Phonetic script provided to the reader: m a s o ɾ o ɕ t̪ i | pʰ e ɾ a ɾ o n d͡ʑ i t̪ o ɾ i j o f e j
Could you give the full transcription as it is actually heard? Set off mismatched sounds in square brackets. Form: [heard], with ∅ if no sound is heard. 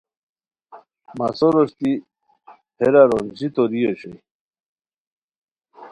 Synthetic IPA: m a s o ɾ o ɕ t̪ i | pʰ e ɾ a ɾ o n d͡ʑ i t̪ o ɾ i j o [ɕ] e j